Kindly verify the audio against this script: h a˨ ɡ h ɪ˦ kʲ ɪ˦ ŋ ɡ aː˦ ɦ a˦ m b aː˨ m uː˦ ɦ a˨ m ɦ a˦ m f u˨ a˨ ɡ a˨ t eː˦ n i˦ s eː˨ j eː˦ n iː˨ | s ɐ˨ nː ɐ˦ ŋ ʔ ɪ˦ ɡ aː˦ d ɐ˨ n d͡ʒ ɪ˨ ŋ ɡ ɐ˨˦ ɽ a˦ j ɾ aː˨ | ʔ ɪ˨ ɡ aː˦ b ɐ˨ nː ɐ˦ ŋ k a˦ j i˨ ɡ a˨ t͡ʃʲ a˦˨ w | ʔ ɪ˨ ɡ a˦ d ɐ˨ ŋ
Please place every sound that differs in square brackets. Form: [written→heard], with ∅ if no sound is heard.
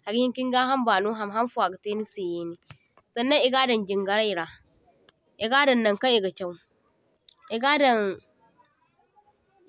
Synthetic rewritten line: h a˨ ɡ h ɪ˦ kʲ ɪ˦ ŋ ɡ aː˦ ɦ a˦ m b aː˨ [m→n] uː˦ ɦ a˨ m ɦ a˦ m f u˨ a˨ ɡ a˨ t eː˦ n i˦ s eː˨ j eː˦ n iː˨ | s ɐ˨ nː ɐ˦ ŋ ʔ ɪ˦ ɡ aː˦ d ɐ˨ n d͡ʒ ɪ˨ ŋ ɡ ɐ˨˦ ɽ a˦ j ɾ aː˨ | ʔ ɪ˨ ɡ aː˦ [b→d] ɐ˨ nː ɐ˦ ŋ k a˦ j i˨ ɡ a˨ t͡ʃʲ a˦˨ w | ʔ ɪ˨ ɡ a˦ d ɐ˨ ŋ

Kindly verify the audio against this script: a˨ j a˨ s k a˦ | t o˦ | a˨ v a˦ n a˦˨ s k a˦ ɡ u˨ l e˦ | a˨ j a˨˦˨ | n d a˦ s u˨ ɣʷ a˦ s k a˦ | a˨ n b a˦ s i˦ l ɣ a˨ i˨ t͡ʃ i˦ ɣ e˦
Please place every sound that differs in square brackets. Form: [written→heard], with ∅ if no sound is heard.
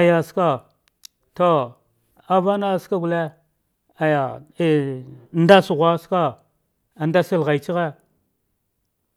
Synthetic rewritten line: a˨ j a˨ s k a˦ | t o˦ | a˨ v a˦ n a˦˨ s k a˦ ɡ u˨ l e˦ | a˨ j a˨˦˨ | n d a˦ s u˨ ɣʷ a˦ s k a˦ | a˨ n [b→d] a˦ s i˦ l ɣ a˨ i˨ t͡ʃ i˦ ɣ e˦

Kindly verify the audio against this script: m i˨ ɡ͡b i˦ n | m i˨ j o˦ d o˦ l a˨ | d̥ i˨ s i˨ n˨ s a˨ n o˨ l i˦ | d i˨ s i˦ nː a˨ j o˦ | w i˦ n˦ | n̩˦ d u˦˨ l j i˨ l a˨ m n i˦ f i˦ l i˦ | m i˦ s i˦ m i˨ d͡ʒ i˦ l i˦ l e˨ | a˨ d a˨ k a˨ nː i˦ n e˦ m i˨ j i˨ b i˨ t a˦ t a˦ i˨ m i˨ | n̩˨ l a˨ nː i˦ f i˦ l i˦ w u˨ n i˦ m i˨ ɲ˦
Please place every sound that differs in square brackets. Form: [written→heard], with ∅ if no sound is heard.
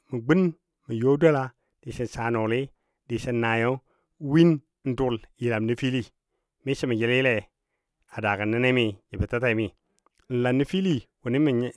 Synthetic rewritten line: m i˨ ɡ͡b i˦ n | m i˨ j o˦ d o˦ l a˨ | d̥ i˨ s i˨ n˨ s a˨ n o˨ l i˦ | d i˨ s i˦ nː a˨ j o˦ | w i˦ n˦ | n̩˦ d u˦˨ l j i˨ l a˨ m n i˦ f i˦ l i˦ | m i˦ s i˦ m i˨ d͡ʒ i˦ l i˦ l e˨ | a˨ d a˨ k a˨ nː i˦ n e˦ m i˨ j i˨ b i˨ t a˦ t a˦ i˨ m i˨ | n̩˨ l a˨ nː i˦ f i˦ l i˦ w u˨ n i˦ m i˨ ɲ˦

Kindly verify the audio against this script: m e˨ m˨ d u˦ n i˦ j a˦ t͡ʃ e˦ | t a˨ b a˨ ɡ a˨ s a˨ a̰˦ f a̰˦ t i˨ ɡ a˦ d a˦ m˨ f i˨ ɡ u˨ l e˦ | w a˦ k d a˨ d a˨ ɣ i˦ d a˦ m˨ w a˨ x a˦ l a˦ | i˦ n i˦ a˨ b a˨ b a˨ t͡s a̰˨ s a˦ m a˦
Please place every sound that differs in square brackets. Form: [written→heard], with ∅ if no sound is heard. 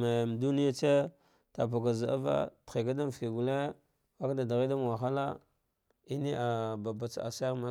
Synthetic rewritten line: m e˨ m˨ d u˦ n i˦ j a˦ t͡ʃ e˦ | t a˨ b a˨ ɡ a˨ [s→z] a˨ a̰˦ [f→v] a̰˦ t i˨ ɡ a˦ d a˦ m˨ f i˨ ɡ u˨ l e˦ | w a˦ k d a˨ d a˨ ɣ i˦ d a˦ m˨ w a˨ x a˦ l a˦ | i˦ n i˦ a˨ b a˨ b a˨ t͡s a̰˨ s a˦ m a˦

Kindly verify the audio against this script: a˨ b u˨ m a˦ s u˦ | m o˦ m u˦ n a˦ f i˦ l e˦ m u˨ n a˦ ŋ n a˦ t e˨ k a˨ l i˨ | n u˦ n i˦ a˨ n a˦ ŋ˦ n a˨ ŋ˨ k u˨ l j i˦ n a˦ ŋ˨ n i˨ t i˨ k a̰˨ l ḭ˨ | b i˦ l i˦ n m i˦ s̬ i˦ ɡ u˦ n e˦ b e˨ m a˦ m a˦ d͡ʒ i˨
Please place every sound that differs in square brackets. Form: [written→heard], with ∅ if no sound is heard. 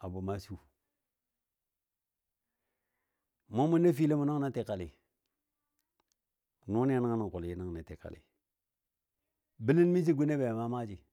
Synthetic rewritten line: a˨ b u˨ m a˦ s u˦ | m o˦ m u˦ n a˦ f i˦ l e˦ m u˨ n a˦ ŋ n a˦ t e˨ k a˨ l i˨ | n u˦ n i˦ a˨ n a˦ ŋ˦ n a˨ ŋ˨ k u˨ l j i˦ n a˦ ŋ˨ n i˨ t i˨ k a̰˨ l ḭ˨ | b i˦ l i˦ n m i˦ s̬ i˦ ɡ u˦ n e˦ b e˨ m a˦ m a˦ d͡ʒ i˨

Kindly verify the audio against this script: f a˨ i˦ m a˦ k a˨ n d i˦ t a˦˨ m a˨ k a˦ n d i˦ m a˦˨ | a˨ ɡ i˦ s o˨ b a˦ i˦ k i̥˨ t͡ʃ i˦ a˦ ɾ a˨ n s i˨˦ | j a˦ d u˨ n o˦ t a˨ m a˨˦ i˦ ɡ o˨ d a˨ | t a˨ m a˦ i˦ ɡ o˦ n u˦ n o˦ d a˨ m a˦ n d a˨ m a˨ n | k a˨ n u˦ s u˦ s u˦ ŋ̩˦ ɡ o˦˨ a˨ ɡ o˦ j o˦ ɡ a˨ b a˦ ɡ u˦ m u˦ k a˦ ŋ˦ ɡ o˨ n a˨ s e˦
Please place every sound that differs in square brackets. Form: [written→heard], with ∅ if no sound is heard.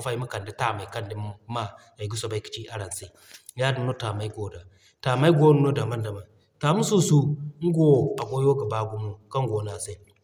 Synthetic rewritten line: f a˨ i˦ m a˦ k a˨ n d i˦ t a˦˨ m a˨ k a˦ n d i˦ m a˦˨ | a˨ ɡ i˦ s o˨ b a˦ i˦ k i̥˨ t͡ʃ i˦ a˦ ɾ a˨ n s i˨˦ | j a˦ d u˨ n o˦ t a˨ m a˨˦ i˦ ɡ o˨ d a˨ | t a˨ m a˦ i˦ ɡ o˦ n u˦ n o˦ d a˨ m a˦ n d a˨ m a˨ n | [k→t] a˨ [n→m] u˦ s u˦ s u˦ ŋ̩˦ ɡ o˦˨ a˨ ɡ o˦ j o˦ ɡ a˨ b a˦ ɡ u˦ m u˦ k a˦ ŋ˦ ɡ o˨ n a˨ s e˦

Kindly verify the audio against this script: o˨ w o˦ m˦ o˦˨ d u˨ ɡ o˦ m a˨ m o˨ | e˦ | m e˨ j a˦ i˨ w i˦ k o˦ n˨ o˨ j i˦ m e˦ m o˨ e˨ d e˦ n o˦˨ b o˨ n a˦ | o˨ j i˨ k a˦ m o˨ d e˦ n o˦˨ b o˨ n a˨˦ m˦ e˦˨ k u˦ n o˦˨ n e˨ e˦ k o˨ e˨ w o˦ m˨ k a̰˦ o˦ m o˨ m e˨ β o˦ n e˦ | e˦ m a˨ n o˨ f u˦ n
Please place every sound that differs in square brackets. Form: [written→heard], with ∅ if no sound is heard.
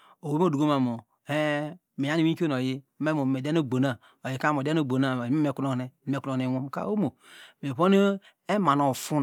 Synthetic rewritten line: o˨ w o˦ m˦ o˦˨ d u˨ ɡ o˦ m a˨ m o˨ | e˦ | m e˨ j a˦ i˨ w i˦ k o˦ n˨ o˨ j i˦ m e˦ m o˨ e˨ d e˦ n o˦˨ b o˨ n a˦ | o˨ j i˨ k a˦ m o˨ d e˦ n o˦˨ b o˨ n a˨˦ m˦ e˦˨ k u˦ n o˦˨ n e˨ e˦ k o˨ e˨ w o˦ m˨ k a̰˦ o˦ m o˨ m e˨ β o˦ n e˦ | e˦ m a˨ n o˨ f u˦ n

